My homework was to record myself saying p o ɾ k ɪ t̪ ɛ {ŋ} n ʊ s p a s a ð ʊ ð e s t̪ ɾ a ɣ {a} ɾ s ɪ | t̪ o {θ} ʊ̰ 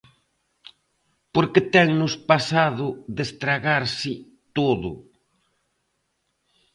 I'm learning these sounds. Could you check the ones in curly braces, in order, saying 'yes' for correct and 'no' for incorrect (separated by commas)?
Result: yes, yes, no